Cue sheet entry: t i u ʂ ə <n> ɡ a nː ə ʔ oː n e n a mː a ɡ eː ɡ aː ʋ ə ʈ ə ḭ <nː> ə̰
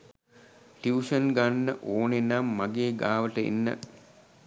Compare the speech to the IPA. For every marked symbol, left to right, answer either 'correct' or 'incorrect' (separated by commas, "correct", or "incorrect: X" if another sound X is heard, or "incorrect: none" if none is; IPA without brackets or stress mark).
correct, correct